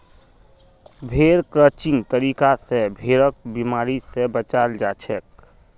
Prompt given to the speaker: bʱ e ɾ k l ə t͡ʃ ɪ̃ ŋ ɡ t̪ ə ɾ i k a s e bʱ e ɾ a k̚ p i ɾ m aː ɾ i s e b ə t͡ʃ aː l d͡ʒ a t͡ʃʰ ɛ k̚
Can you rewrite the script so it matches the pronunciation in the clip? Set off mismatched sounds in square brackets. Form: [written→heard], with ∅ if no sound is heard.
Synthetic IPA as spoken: bʱ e ɾ k [l→ɾ] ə t͡ʃ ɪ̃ ŋ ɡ t̪ ə ɾ i k a s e bʱ e ɾ [a→ə] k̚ [p→b] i [ɾ→∅] m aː ɾ i s e b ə t͡ʃ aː l d͡ʒ a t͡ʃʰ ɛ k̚